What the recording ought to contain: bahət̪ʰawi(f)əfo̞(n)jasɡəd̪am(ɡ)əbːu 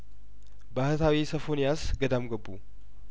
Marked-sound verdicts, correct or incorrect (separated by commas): incorrect, correct, correct